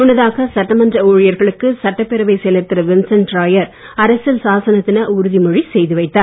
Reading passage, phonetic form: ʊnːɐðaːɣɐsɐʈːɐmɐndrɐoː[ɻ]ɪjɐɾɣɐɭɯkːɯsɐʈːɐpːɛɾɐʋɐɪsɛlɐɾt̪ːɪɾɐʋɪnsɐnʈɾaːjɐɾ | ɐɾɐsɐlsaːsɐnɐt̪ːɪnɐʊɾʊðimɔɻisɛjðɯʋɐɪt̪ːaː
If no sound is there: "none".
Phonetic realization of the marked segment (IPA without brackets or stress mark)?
ɻ